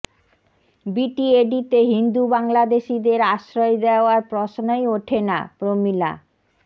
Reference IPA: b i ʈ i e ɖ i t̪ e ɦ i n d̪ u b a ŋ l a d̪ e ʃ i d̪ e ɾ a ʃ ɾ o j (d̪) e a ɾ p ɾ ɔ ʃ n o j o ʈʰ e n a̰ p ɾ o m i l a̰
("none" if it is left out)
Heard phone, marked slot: d̪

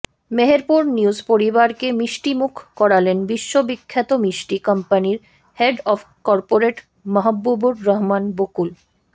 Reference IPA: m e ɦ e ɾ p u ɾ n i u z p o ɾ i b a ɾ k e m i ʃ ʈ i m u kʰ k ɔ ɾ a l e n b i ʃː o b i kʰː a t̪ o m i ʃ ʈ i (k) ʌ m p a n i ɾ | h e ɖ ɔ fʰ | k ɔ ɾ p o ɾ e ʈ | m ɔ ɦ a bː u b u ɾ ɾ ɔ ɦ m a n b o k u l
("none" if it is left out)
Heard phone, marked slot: k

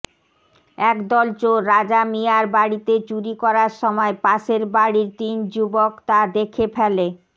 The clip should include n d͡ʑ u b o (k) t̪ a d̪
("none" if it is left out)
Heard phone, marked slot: k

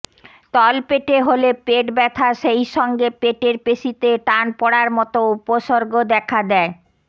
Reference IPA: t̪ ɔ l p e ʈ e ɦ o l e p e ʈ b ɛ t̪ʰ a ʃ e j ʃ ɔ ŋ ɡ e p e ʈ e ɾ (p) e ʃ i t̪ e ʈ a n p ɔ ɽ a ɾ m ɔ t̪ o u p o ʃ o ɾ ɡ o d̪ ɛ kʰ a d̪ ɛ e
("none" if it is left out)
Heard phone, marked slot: p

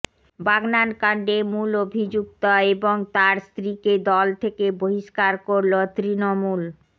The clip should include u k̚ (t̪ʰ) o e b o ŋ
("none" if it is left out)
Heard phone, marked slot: t̪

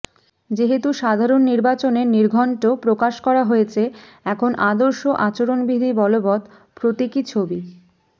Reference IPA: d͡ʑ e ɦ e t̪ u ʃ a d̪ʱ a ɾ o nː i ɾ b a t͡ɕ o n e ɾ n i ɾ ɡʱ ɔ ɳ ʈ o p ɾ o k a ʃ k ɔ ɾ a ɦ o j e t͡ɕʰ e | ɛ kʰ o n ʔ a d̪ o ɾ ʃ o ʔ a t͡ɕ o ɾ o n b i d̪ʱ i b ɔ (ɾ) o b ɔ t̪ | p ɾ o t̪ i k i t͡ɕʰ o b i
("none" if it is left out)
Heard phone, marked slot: l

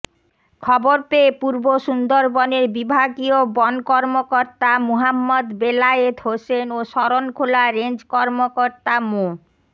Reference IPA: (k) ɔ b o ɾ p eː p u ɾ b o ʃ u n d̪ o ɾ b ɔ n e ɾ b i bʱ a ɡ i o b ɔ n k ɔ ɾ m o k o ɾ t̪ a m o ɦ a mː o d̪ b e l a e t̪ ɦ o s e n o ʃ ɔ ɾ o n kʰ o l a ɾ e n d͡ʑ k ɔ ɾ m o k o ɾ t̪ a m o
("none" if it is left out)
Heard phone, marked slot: kʰ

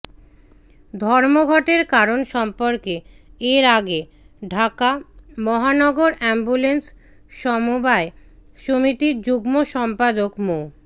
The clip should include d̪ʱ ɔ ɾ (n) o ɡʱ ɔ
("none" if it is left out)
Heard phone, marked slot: m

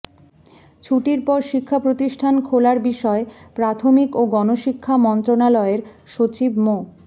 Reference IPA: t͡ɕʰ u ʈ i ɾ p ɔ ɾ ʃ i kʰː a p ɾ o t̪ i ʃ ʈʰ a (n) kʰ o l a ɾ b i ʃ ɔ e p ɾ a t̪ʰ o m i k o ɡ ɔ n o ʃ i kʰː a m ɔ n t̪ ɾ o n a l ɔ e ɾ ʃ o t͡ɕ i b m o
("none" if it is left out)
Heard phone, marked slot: n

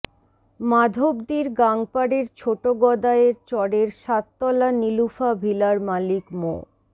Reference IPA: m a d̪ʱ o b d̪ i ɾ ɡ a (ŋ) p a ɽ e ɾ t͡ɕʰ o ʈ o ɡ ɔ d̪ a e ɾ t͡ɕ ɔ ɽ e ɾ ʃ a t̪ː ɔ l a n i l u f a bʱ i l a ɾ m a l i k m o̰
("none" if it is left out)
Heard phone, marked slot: ŋ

